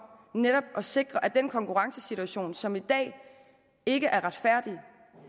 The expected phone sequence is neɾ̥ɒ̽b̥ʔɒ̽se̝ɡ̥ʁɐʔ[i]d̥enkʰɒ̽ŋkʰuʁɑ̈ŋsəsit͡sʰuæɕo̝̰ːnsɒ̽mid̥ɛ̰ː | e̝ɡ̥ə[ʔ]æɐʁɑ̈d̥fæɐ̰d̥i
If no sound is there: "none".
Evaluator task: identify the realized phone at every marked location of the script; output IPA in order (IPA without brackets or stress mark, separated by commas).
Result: æ, ʔ